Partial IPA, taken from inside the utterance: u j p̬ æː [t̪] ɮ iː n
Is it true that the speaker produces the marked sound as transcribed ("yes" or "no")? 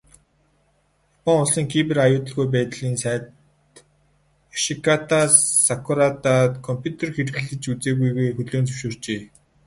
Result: yes